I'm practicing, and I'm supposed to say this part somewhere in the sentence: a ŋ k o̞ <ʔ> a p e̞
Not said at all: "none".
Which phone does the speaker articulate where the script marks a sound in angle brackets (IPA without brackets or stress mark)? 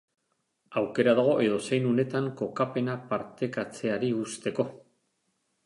k